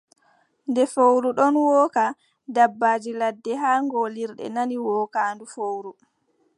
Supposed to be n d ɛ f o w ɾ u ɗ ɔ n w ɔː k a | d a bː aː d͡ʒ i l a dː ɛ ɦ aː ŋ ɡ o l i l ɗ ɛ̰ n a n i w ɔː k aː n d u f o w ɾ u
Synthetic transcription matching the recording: n d ɛ f o w ɾ u ɗ ɔ n w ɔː k a | d a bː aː d͡ʒ i l a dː ɛ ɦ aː ŋ ɡ o l i ɾ ɗ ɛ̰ n a n i w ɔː k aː n d u f o w ɾ u